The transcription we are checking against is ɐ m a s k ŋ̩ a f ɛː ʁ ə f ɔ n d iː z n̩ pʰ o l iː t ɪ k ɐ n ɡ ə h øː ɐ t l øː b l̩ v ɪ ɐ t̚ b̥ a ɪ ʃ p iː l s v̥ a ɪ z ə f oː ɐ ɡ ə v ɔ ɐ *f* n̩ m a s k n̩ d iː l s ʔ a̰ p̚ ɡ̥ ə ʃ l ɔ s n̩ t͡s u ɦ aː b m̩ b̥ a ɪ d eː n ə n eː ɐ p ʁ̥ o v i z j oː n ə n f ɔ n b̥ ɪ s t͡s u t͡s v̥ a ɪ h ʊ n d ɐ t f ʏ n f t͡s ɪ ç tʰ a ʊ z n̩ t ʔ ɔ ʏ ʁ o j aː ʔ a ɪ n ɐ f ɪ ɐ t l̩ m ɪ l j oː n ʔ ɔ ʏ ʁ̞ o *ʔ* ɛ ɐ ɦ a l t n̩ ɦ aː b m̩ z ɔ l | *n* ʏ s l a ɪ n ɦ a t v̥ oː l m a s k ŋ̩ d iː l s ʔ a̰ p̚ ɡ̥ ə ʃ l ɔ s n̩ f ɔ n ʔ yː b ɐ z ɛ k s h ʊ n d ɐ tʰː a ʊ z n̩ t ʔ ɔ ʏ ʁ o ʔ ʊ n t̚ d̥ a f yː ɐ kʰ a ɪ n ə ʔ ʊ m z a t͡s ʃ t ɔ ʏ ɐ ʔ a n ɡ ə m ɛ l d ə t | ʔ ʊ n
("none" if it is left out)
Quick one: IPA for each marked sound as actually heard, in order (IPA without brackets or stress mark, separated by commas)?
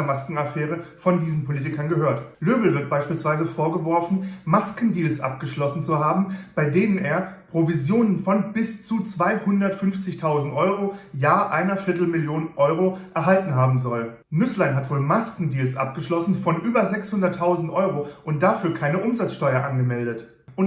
f, ʔ, n